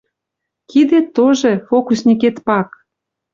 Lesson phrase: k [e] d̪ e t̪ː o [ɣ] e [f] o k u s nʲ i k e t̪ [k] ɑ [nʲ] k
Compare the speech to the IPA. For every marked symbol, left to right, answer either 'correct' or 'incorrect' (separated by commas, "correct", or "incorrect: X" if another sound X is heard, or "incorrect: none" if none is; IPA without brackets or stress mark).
incorrect: i, incorrect: ʒ, correct, incorrect: p, incorrect: none